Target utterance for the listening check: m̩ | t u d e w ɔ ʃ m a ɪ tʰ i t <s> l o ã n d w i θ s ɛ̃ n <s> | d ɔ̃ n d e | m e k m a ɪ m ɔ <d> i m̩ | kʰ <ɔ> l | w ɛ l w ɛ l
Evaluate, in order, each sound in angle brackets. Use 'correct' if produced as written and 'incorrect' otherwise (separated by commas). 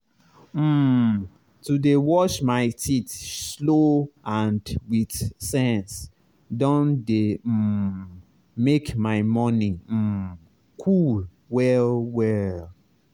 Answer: correct, correct, incorrect, incorrect